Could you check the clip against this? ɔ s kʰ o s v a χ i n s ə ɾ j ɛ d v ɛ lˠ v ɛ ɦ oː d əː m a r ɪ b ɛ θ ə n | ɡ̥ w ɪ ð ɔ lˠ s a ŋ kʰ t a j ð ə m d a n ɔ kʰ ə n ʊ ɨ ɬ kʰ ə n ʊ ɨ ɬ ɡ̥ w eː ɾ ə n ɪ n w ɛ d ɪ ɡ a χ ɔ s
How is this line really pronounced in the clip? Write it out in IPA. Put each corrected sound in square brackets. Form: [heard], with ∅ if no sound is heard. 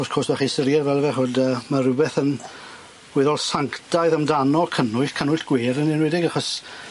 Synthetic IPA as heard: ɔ s kʰ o s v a χ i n s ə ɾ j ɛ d v ɛ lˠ v ɛ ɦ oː d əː m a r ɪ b ɛ θ ə n | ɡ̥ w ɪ ð ɔ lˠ s a ŋ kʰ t a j ð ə m d a n ɔ kʰ ə n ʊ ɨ ɬ kʰ ə n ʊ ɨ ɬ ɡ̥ w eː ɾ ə n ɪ n w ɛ d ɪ ɡ a χ ɔ s

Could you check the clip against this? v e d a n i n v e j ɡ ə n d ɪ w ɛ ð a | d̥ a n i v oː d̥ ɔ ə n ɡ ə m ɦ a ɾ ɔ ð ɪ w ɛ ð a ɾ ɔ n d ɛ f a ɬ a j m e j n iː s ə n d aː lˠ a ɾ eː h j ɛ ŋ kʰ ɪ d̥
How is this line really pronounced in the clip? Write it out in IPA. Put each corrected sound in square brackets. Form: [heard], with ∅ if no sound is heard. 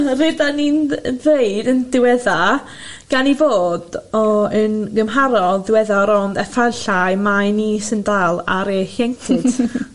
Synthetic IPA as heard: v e d a n i n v e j [d] ə n d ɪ w ɛ ð a | [ɡ̥] a n i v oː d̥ ɔ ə n ɡ ə m ɦ a ɾ ɔ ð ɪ w ɛ ð a ɾ ɔ n d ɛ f a ɬ a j m [a] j n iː s ə n d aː lˠ a ɾ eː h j ɛ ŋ kʰ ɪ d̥

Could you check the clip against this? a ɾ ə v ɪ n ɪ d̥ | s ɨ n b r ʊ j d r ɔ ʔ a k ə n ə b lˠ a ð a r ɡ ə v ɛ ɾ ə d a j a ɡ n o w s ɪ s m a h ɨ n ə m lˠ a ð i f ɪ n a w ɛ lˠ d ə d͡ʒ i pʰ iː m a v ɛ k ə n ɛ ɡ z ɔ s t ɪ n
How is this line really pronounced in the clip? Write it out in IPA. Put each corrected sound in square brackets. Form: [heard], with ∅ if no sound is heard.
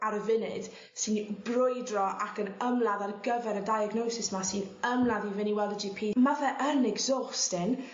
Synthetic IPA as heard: a ɾ ə v ɪ n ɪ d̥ | s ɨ n b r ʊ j d r ɔ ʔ a k ə n ə [m] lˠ a ð a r ɡ ə v ɛ ɾ ə d a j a ɡ n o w s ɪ s m a [s] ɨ n ə m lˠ a ð i [v] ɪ n [i] w ɛ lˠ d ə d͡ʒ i pʰ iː m a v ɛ [ʔ] ə n ɛ ɡ z ɔ s t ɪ n

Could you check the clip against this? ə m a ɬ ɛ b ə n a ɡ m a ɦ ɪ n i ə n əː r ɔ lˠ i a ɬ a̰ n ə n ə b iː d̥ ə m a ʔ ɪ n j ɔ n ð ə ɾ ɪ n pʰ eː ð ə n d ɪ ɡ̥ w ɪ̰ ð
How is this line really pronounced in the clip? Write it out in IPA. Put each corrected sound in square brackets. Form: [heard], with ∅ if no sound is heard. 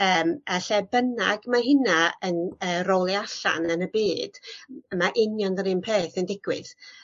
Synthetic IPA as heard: [əː] m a ɬ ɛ b ə n a ɡ m a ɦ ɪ n [a] ə n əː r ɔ lˠ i a ɬ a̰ n ə n ə b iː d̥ ə m a ʔ ɪ n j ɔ n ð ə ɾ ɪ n pʰ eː [θ] ə n d ɪ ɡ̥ w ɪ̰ ð

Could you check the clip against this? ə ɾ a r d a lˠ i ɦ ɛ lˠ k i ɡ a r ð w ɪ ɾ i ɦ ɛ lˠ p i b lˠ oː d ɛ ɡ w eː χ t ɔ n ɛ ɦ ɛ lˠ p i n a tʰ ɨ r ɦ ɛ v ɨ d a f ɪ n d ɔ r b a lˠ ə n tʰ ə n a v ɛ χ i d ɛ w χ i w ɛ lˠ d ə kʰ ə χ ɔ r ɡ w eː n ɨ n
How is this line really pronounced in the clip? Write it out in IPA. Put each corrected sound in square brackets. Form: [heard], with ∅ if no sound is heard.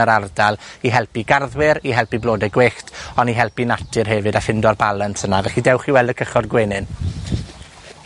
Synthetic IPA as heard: ə ɾ a r d a lˠ i ɦ ɛ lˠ [p] i ɡ a r ð w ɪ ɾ i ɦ ɛ lˠ p i b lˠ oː d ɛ ɡ w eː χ t ɔ n [i] ɦ ɛ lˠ p i n a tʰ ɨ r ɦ ɛ v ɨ d a f ɪ n d ɔ r b a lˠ ə n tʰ ə n a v ɛ χ i d ɛ w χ i w ɛ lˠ d ə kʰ ə χ ɔ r ɡ w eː n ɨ n

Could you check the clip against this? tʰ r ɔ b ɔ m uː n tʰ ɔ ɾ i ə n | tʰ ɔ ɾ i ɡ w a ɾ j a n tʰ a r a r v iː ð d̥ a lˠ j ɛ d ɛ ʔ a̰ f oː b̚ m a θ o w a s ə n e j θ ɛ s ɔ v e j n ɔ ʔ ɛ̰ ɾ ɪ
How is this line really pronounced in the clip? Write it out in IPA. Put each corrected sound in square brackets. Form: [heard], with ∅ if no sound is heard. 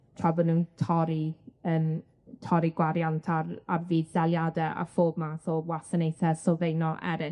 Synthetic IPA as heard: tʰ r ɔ b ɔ [n] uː n tʰ ɔ ɾ i ə n | tʰ ɔ ɾ i ɡ w a ɾ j a n tʰ a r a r v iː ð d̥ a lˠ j [a] d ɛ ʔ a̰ f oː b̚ m a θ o w a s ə n e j θ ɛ s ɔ v e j n ɔ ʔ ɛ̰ ɾ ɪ

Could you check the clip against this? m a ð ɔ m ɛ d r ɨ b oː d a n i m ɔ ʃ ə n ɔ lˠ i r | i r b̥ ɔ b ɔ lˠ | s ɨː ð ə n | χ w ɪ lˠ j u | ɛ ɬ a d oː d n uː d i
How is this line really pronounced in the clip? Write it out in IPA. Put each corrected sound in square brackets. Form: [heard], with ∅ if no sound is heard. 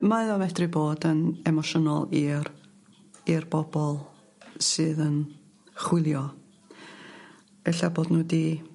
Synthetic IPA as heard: m a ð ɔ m ɛ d r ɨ b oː d [ə] n [ɛ] m ɔ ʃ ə n ɔ lˠ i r | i r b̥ ɔ b ɔ lˠ | s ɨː ð ə n | χ w ɪ lˠ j [ɔ] | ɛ ɬ a [b] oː d n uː d i

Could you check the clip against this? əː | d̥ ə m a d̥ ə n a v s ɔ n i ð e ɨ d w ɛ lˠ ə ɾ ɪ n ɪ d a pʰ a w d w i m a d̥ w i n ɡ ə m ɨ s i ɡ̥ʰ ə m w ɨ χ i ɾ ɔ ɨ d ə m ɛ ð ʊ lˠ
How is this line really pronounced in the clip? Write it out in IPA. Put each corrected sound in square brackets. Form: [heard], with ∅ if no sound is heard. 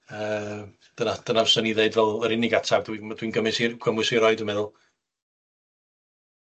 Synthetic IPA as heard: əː | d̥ ə [n] a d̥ ə n a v s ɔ n i ð e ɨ d [v] ɛ lˠ ə ɾ ɪ n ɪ [ɡ] a [tʰ] a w d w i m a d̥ w i n ɡ ə m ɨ s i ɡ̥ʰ ə m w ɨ [s] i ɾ ɔ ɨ d ə m ɛ ð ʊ lˠ

